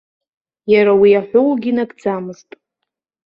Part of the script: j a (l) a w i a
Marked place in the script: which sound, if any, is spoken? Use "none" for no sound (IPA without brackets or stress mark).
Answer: ɾ